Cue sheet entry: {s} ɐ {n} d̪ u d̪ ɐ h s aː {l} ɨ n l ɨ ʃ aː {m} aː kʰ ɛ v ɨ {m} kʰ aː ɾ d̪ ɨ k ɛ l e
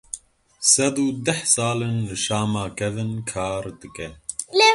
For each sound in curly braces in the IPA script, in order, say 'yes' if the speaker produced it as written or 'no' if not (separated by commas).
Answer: yes, no, yes, yes, no